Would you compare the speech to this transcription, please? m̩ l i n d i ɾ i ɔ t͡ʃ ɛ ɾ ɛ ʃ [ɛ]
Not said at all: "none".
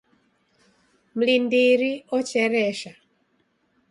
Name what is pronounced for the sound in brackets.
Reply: a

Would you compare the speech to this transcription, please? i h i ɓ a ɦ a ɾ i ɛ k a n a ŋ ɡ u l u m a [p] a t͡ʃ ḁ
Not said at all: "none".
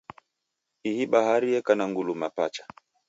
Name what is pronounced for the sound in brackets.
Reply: p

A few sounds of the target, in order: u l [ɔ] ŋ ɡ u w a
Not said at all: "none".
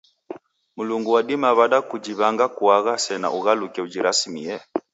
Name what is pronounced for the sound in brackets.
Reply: u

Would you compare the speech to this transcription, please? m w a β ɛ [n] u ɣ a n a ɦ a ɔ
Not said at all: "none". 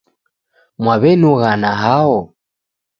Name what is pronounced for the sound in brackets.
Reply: n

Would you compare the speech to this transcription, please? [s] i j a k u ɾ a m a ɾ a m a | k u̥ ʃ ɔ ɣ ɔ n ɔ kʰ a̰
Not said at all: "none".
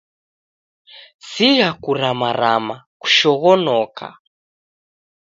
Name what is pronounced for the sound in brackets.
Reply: s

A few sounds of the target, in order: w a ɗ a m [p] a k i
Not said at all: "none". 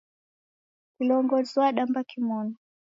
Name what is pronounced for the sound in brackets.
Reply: b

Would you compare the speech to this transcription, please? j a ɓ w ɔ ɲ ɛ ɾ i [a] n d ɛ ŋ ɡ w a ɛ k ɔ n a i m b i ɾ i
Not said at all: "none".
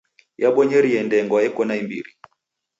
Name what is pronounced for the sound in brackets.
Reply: ɛ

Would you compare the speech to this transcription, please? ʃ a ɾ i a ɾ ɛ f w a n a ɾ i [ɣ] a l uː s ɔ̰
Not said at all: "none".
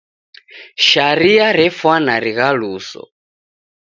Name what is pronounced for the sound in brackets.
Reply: ɣ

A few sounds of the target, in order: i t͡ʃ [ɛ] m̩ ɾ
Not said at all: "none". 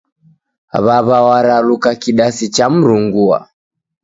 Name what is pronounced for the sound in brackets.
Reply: a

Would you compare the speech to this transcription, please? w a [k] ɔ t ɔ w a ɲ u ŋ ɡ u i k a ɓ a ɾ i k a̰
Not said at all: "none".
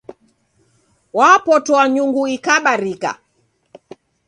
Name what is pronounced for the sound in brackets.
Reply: p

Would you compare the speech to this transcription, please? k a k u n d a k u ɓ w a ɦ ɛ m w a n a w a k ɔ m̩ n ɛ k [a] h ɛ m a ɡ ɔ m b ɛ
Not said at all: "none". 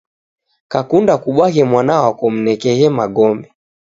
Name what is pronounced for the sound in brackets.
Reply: ɛ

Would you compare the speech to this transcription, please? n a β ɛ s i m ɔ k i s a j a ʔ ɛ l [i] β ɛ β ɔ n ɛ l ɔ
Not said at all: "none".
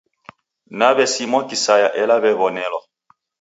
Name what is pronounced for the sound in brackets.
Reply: a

